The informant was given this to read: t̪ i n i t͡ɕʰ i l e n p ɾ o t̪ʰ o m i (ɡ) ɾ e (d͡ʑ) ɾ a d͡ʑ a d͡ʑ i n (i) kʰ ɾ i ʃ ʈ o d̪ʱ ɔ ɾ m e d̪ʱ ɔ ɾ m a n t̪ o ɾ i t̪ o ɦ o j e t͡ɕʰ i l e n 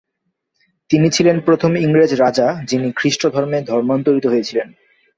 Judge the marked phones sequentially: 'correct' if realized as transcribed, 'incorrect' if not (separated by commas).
incorrect, correct, correct